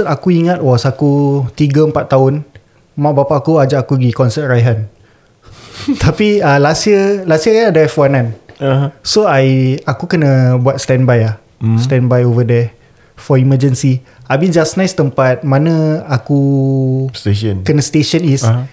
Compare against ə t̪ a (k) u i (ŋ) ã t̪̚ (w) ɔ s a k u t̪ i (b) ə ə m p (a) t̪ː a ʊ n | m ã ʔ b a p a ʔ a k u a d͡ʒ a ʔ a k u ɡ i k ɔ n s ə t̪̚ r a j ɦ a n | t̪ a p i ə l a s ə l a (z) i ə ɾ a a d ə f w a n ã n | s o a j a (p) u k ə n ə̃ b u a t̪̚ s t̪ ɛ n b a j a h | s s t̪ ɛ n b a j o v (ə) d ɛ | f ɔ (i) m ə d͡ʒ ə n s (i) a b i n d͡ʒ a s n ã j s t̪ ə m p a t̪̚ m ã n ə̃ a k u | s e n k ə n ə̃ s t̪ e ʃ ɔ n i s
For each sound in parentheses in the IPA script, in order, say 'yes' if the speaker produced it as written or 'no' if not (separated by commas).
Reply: yes, yes, yes, no, yes, no, no, yes, yes, yes